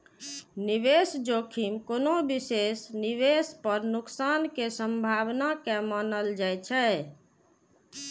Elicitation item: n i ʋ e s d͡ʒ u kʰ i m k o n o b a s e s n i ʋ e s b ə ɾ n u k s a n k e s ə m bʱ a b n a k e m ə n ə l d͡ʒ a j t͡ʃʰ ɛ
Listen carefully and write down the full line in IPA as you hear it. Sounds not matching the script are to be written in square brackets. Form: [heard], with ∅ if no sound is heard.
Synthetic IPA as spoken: n i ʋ e s d͡ʒ [o] kʰ i m k o n o b [i] s e s n i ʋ e s [p] ə ɾ n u k s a n k e s ə m bʱ a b n a k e m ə n ə l d͡ʒ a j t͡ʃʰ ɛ